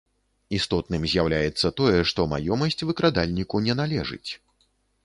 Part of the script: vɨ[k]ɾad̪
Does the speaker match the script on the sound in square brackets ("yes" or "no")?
yes